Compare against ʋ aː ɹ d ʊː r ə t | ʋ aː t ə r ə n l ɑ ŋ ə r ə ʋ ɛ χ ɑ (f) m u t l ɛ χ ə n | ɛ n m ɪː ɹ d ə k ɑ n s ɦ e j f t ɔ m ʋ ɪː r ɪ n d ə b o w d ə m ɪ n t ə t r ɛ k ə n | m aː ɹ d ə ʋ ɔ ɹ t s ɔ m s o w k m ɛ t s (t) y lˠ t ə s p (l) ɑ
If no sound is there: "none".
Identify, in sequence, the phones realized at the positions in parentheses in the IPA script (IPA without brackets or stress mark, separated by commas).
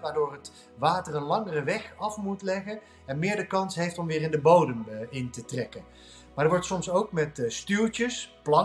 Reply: f, t, l